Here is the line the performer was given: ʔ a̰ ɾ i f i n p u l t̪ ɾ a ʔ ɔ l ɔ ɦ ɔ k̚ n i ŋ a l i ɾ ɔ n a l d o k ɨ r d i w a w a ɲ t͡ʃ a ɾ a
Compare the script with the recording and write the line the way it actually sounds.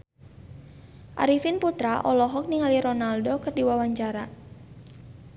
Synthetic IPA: ʔ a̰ ɾ i f i n p u t̪ ɾ a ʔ ɔ l ɔ ɦ ɔ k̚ n i ŋ a l i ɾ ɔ n a l d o k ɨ r d i w a w a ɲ t͡ʃ a ɾ a